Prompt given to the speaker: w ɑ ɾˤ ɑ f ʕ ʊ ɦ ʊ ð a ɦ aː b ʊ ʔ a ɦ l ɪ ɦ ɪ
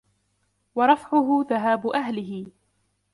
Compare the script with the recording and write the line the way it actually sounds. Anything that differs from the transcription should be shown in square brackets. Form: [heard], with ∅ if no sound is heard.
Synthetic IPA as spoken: w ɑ ɾˤ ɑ f ʕ ʊ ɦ ʊ ð a ɦ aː b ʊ ʔ a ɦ l ɪ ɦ ɪ

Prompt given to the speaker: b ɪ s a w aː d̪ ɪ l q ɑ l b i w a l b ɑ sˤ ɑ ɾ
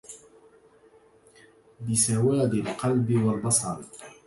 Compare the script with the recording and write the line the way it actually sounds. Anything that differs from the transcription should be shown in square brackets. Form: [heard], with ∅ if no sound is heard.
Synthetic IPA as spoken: b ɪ s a w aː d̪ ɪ l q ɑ l b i w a l b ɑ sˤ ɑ ɾ

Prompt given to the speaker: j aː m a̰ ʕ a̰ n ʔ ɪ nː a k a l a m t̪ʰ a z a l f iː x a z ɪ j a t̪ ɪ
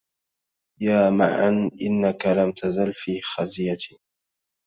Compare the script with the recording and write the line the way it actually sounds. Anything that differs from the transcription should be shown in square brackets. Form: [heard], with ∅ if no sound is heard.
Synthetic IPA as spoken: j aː m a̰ ʕ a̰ n ʔ ɪ nː a k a l a m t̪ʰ a z a l f iː x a z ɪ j a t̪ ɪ

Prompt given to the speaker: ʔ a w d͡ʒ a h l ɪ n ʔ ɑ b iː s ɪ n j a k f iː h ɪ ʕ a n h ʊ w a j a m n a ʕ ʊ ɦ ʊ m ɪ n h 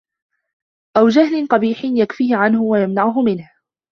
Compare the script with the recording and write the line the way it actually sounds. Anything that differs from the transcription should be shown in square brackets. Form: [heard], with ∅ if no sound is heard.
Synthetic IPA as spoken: ʔ a w d͡ʒ a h l ɪ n [q] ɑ b iː [ħ] ɪ n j a k f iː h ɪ ʕ a n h ʊ w a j a m n a ʕ ʊ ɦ ʊ m ɪ n h

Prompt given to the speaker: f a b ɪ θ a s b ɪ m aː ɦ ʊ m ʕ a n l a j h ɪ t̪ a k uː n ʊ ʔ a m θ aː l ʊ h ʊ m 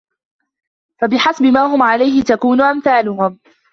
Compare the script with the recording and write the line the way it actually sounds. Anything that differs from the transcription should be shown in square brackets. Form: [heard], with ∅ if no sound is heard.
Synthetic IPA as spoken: f a b ɪ [ħ] a s b ɪ m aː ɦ ʊ m ʕ a [∅] l a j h ɪ t̪ a k uː n ʊ ʔ a m θ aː l ʊ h ʊ m

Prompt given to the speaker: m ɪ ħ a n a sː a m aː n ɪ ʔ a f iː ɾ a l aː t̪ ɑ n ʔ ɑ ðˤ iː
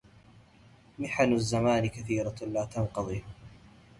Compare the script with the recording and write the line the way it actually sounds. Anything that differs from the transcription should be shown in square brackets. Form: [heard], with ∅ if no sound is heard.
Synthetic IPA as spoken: m ɪ ħ a n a [zː] a m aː n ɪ [k] a [θ] iː ɾ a l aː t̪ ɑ n [q] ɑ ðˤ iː

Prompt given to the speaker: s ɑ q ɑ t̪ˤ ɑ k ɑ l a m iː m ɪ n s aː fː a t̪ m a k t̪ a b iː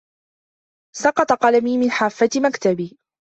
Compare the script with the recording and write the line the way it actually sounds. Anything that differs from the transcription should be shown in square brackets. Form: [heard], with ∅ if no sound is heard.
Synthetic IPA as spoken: s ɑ q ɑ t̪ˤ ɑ [q] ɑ l a m iː m ɪ n [ħ] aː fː a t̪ m a k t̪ a b iː

